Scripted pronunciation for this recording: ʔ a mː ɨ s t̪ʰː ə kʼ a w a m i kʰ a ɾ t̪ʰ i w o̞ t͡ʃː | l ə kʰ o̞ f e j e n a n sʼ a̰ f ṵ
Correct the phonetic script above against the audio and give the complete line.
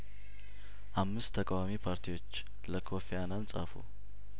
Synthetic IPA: ʔ a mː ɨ s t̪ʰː ə kʼ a w a m i pʰ a ɾ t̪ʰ i w o̞ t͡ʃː | l ə kʰ o̞ f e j a n a n sʼ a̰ f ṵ